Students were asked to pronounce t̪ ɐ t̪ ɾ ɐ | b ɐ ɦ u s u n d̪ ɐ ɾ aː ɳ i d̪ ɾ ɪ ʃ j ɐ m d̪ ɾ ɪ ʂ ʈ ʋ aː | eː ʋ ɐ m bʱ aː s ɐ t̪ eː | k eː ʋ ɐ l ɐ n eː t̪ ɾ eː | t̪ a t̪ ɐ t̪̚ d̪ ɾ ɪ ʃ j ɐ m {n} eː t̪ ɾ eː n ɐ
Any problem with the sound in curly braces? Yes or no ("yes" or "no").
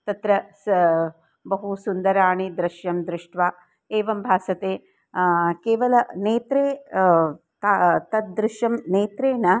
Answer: no